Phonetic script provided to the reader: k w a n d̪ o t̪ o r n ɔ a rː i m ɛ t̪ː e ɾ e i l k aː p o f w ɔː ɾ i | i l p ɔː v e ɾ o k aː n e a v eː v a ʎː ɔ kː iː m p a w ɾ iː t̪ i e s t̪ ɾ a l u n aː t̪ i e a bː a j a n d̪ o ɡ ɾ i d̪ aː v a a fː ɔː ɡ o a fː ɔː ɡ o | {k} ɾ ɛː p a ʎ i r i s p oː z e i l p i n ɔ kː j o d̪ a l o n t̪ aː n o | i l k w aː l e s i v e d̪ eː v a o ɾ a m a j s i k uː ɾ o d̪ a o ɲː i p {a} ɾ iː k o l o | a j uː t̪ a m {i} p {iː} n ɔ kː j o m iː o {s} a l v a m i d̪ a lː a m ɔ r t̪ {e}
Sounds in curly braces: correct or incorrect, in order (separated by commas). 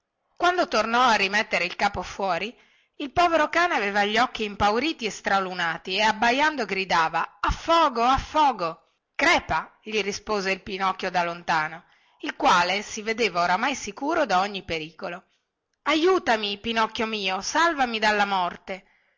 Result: correct, incorrect, correct, incorrect, correct, correct